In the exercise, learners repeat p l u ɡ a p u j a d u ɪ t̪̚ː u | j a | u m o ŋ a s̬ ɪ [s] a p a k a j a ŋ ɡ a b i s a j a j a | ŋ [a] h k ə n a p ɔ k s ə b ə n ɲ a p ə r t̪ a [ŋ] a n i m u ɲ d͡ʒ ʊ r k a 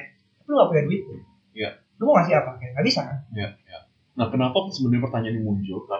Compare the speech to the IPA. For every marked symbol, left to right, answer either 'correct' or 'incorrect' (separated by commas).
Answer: incorrect, correct, incorrect